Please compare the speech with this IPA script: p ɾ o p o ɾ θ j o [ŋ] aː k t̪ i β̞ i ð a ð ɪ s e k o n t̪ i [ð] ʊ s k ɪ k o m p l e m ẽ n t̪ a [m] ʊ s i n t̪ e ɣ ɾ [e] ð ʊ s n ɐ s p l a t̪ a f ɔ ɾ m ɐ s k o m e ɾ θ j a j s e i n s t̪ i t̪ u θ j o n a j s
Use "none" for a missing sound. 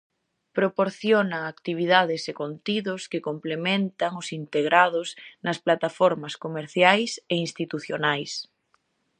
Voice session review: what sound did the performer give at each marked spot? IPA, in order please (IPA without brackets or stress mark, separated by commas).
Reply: n, ð, ŋ, a